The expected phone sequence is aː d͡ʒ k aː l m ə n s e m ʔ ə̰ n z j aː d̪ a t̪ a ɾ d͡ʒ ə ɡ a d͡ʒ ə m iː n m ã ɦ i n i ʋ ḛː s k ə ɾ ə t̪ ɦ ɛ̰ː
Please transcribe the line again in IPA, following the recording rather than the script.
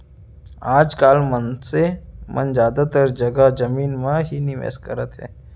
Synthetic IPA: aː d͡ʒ k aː l m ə n s e m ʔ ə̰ n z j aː d̪ a t̪ ə ɾ d͡ʒ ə ɡ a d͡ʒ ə m iː n m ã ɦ i n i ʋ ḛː s k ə ɾ ə t̪ ɦ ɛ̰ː